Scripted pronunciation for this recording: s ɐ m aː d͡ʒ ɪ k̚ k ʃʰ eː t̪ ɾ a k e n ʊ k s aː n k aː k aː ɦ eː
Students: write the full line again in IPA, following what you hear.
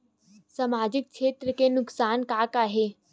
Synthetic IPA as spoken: s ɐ m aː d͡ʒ ɪ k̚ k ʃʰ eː t̪ ɾ ə k e n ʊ k s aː n k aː k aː ɦ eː